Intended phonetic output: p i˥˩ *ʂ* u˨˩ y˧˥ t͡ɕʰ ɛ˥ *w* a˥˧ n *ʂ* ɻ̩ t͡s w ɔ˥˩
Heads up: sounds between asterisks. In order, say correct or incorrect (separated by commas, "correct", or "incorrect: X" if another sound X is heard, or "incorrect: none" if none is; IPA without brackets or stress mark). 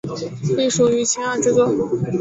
correct, incorrect: none, incorrect: ʈ͡ʂ